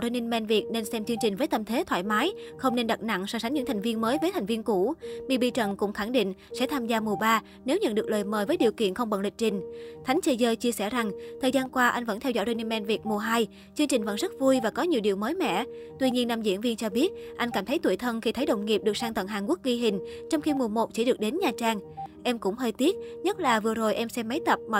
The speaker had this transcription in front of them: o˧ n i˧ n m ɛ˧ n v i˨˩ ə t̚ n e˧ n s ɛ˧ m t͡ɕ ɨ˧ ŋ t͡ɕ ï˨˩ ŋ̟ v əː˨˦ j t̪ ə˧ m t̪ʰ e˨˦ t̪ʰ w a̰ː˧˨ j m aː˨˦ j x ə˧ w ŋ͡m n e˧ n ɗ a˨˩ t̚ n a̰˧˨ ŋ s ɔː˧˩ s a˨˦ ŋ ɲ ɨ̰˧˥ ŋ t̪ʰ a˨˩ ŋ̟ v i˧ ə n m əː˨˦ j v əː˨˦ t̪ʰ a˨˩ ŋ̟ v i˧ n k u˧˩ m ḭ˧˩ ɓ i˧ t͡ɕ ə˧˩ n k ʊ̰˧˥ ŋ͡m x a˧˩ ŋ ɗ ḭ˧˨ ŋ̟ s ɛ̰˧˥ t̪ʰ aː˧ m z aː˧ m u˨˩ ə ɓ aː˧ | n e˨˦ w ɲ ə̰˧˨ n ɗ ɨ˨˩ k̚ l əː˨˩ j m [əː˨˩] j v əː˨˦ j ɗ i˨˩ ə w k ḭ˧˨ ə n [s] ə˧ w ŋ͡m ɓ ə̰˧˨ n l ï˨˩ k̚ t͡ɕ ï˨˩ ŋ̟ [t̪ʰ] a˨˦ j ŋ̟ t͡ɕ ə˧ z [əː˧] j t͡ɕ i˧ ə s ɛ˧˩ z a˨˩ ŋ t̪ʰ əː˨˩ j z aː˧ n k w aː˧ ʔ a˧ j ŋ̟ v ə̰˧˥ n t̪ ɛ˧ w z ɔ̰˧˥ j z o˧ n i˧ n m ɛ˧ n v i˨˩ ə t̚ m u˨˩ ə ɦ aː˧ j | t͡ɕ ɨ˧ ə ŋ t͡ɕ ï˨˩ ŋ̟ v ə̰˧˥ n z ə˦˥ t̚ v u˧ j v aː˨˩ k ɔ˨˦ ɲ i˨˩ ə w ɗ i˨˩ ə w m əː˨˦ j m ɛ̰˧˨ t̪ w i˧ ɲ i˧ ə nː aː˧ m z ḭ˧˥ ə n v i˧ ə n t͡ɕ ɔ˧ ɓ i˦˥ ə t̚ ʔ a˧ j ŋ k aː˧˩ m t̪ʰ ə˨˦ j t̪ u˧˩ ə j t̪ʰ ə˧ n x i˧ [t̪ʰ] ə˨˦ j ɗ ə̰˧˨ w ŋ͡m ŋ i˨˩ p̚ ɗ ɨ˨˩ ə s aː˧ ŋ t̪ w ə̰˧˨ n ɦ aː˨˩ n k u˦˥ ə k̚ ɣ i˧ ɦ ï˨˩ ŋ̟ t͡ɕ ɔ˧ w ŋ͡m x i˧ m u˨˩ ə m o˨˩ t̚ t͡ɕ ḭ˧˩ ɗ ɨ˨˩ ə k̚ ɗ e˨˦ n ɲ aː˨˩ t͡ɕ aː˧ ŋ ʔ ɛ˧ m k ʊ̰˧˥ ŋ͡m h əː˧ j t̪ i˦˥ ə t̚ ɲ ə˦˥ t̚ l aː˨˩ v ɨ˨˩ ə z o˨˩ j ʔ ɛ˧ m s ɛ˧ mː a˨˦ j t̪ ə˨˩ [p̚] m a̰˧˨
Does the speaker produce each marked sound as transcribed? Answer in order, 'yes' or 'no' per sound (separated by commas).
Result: yes, no, yes, yes, yes, yes